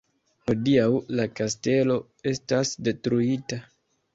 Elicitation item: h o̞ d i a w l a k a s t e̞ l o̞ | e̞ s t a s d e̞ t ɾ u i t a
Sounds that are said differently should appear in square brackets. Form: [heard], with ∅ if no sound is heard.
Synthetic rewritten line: h o̞ d i a w l a k a s t e̞ l o̞ | e̞ s t a s d e̞ t ɾ u i t a

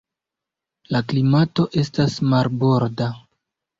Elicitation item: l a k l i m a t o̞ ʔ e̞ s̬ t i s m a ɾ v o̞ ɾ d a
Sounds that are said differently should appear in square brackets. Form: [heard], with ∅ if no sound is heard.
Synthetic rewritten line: l a k l i m a t o̞ ʔ e̞ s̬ t [a] s m a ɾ [b] o̞ ɾ d a

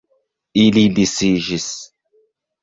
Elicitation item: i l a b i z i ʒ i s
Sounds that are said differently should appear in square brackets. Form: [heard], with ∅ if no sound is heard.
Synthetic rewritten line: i l [i] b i [s] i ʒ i s

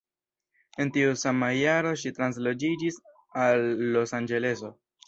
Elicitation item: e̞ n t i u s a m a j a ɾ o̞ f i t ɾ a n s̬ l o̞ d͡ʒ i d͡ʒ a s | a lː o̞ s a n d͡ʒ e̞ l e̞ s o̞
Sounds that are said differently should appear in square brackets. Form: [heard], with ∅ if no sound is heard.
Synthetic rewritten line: e̞ n t i u s a m a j a ɾ o̞ [ʃ] i t ɾ a n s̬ l o̞ d͡ʒ i d͡ʒ [i] s | a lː o̞ s a n d͡ʒ e̞ l e̞ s o̞

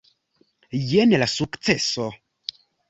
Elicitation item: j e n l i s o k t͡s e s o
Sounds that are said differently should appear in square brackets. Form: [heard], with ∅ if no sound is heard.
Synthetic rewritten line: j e n l [a] s [u] k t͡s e s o

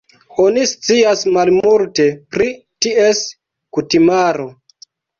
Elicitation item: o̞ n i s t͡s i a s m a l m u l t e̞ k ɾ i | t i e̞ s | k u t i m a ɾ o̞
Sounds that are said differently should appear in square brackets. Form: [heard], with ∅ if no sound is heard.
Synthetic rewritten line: o̞ n i s t͡s i a s m a l m u l t e̞ [p] ɾ i | t i e̞ s | k u t i m a ɾ o̞

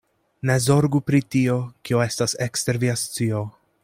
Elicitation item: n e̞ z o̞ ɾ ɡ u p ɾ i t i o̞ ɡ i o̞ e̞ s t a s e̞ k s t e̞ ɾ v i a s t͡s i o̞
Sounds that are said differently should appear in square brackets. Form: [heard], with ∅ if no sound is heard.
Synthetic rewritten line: n e̞ z o̞ ɾ ɡ u p ɾ i t i o̞ [k] i o̞ e̞ s t a s e̞ k s t e̞ ɾ v i a s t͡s i o̞

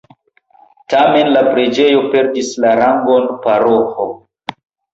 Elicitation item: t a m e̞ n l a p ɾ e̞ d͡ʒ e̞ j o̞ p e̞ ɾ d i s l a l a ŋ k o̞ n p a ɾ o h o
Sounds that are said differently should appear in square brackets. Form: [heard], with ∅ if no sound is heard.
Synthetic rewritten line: t a m e̞ n l a p ɾ e̞ d͡ʒ e̞ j o̞ p e̞ ɾ d i s l a [ɾ] a ŋ [ɡ] o̞ n p a ɾ o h o

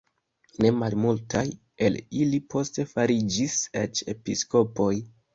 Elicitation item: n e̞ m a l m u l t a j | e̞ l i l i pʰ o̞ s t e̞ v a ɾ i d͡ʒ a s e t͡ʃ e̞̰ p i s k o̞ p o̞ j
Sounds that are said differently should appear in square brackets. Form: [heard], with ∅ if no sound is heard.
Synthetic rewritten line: n e̞ m a l m u l t a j | e̞ l i l i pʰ o̞ s t e̞ [f] a ɾ i d͡ʒ [i] s e t͡ʃ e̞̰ p i s k o̞ p o̞ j

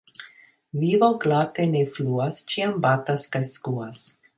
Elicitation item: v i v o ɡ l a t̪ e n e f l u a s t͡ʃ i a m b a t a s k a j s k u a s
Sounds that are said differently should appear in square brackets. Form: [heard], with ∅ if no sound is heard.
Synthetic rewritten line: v i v o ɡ l a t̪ e n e f l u a s t͡ʃ i a m b a t a s k a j s k u a s

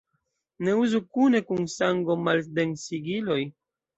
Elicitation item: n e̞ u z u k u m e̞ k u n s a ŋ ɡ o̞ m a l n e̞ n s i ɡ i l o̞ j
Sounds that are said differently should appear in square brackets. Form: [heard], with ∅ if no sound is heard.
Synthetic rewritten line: n e̞ u z u k u [n] e̞ k u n s a ŋ ɡ o̞ m a l [d] e̞ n s i ɡ i l o̞ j

